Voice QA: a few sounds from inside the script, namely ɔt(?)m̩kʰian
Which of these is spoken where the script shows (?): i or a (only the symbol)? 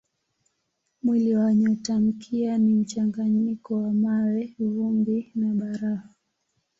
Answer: a